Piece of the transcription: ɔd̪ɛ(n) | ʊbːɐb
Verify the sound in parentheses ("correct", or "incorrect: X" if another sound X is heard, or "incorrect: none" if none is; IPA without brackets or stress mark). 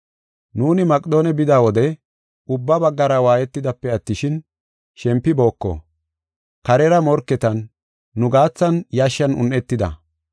incorrect: none